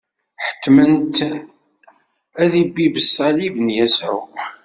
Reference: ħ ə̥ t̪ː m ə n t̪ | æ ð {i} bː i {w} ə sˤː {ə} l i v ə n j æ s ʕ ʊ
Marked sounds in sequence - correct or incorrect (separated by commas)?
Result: correct, incorrect, incorrect